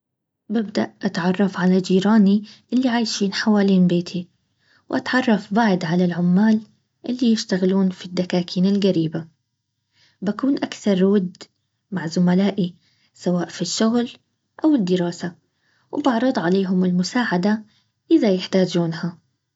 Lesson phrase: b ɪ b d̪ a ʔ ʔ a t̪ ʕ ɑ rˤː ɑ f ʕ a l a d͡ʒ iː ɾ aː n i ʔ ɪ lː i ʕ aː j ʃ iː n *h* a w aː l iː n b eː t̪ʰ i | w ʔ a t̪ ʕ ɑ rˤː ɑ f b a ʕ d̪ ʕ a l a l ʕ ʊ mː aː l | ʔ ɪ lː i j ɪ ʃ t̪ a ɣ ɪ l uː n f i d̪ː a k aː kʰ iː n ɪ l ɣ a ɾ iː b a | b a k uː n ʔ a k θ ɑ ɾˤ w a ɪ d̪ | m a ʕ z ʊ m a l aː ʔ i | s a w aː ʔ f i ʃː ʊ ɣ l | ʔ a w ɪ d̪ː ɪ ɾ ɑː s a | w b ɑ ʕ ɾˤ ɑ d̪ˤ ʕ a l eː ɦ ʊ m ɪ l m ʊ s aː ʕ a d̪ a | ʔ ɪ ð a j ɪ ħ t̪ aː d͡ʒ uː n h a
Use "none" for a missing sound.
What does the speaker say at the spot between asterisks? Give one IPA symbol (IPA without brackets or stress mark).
ħ